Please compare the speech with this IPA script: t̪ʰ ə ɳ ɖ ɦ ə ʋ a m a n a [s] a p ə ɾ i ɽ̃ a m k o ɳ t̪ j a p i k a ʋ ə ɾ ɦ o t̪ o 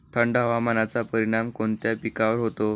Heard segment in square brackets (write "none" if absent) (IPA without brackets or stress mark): t͡s